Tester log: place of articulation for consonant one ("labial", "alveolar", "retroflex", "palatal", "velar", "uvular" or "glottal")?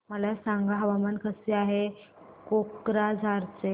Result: labial